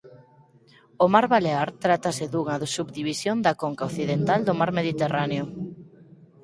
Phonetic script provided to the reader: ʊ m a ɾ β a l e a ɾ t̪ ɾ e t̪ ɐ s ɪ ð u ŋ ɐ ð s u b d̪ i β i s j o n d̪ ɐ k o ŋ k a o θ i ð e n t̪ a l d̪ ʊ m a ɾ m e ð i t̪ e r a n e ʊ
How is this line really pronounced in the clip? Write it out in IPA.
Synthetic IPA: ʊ m a ɾ β a l e a ɾ t̪ ɾ a t̪ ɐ s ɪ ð u ŋ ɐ ð s u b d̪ i β i s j o n d̪ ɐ k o ŋ k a o θ i ð e n t̪ a l d̪ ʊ m a ɾ m e ð i t̪ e r a n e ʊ

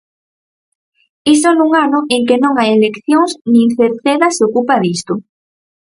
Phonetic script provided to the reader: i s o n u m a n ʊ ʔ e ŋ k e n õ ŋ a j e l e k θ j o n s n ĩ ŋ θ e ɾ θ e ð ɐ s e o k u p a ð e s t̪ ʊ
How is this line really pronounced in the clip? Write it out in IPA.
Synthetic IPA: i s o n u ŋ a n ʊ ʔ e ŋ k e n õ ŋ a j e l e k θ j o ŋ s n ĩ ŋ θ e ɾ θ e ð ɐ s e o k u p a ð i s t̪ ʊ

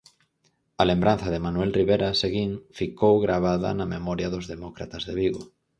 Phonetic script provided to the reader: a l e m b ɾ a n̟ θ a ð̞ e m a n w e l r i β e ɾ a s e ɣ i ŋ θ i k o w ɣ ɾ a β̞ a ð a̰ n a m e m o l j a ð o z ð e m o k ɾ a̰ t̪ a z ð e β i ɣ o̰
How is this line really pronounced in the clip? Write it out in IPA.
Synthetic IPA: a l e m b ɾ a n̟ θ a ð̞ e m a n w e l r i β e ɾ a s e ɣ i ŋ f i k o w ɣ ɾ a β̞ a ð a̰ n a m e m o ɾ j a ð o z ð e m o k ɾ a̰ t̪ a z ð e β i ɣ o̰

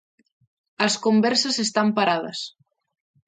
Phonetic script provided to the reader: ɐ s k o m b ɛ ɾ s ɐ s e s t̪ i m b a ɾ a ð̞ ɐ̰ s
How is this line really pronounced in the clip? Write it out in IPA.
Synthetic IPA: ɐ s k o m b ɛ ɾ s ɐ s e s t̪ a m p a ɾ a ð̞ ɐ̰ s

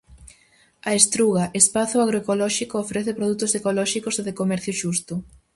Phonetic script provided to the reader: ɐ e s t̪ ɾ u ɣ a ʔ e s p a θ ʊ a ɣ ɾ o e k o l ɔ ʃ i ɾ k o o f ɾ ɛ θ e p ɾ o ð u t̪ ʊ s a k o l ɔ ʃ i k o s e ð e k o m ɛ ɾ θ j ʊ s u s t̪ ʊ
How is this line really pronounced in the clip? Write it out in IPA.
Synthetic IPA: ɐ e s t̪ ɾ u ɣ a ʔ e s p a θ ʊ a ɣ ɾ o e k o l ɔ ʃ i k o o f ɾ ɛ θ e p ɾ o ð u t̪ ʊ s e k o l ɔ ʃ i k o s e ð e k o m ɛ ɾ θ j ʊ ʃ u s t̪ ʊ

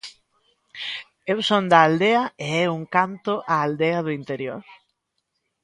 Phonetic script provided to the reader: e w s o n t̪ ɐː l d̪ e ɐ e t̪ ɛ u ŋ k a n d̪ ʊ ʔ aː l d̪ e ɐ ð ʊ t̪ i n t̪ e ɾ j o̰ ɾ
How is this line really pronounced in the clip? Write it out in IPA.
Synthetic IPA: e w s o n d̪ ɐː l d̪ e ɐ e ɛ u ŋ k a n t̪ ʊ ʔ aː l d̪ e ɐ ð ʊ i n t̪ e ɾ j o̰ ɾ

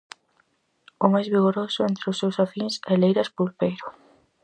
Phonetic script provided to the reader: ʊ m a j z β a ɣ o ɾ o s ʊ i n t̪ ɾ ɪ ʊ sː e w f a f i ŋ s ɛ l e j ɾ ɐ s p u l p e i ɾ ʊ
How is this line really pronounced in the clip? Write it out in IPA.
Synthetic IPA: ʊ m a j z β i ɣ o ɾ o s ʊ e n t̪ ɾ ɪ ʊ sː e w s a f i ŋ s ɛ l e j ɾ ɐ s p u l p e j ɾ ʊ

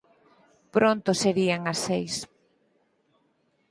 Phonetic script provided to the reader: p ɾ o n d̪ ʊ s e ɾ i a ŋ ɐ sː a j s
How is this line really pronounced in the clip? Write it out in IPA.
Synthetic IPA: p ɾ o n t̪ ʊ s e ɾ i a ŋ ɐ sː e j s

